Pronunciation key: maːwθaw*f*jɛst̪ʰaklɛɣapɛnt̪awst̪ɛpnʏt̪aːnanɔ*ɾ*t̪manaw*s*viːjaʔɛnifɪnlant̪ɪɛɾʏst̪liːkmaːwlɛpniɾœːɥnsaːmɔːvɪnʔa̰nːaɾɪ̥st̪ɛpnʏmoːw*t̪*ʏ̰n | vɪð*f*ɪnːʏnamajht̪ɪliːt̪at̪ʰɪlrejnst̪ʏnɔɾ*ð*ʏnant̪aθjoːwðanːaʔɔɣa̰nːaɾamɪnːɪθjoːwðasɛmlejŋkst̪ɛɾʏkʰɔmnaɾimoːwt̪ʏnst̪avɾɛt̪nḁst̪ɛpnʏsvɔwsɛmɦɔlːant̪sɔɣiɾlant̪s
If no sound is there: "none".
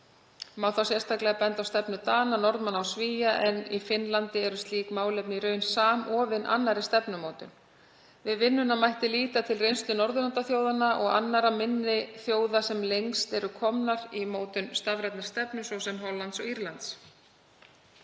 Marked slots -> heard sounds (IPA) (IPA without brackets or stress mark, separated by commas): s, ɾ, s, t̪, v, ð